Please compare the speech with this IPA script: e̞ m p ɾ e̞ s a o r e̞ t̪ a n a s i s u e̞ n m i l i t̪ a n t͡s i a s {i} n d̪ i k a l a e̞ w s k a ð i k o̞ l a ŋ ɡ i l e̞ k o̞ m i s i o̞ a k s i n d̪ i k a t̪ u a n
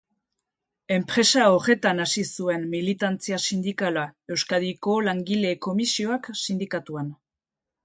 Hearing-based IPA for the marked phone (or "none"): i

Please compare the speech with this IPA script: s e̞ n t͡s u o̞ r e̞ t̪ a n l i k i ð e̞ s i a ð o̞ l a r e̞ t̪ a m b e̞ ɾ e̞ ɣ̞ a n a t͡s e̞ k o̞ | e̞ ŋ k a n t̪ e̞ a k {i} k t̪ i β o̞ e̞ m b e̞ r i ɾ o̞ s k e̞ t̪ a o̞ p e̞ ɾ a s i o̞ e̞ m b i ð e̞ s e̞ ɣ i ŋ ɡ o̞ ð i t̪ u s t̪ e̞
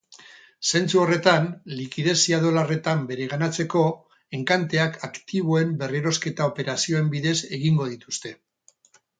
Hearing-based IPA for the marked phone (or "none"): a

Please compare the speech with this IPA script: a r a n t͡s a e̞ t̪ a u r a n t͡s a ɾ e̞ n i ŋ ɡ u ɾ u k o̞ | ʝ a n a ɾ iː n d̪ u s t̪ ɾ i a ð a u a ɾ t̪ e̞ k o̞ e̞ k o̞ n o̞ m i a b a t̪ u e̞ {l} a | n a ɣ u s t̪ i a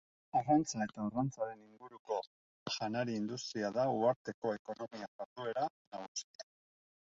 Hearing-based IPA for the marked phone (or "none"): ɾ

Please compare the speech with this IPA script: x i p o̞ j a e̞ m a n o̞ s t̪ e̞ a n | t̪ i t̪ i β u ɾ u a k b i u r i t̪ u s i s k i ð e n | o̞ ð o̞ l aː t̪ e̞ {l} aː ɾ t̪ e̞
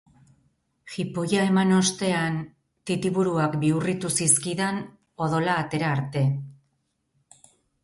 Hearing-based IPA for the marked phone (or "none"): ɾ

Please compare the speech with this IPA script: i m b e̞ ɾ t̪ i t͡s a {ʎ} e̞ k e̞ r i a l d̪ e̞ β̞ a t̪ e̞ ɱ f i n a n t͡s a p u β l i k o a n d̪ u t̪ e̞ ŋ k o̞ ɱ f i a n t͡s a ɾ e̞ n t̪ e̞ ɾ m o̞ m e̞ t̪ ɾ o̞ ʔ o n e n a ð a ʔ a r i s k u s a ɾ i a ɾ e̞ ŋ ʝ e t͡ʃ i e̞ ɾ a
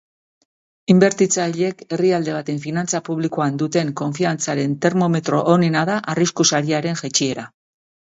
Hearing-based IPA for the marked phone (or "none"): ʎ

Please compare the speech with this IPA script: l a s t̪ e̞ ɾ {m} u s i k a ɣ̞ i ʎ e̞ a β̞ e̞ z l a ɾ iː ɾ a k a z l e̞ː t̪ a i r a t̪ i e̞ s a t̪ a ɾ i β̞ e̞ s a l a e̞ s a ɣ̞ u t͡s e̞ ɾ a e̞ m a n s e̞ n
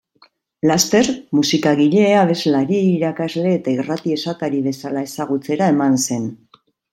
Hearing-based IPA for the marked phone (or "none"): m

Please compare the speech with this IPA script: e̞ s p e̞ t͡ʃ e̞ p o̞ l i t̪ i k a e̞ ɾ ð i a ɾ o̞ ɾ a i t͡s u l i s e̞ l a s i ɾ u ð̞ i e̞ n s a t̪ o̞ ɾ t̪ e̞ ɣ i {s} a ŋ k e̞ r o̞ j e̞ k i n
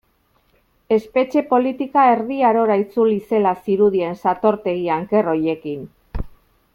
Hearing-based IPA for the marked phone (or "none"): none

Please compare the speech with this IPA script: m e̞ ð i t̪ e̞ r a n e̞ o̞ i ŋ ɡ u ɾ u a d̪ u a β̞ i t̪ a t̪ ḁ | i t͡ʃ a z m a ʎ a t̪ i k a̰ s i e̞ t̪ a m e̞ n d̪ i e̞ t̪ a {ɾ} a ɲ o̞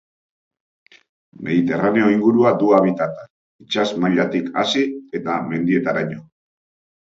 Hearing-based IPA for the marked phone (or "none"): ɾ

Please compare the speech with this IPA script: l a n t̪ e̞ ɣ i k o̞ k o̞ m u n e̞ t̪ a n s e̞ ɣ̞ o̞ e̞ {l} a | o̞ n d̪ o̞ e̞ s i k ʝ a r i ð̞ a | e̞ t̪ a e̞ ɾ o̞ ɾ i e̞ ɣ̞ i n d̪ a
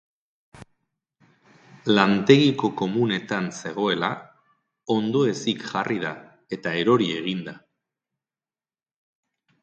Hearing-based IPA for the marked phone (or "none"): l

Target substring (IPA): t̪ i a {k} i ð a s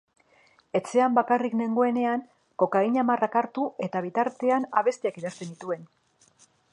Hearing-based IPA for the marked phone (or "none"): k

